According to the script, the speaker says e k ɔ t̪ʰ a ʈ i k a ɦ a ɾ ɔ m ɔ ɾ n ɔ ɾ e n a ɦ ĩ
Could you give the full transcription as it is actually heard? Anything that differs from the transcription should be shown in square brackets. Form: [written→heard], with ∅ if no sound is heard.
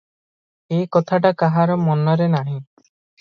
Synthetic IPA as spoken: e k ɔ t̪ʰ a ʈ [i→a] k a ɦ a ɾ ɔ m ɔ [ɾ→∅] n ɔ ɾ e n a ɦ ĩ